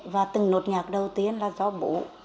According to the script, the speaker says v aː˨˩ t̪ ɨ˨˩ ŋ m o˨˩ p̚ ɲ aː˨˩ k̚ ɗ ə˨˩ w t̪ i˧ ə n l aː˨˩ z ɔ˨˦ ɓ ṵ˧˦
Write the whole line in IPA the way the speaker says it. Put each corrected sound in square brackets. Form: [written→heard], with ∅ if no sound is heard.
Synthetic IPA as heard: v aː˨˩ t̪ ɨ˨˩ ŋ [m→n] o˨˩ [p̚→t̚] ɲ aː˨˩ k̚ ɗ ə˨˩ w t̪ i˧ ə n l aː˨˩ z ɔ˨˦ ɓ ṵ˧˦